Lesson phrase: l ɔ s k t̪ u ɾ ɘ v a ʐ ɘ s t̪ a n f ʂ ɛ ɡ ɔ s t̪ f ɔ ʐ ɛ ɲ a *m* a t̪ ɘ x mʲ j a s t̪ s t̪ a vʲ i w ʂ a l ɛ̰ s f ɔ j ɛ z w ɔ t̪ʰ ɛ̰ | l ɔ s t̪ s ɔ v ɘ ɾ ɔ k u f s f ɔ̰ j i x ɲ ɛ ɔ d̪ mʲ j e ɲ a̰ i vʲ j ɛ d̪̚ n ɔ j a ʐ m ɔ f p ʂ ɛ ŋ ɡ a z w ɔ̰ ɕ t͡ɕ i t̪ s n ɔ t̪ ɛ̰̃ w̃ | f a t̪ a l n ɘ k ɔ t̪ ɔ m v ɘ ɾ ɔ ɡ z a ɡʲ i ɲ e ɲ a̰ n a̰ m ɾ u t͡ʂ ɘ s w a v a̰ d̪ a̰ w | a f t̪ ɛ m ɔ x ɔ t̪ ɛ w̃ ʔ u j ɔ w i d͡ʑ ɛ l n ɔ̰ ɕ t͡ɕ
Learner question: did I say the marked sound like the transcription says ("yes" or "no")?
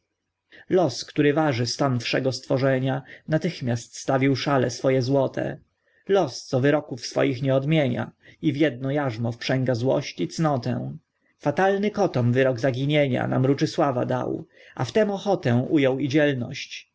no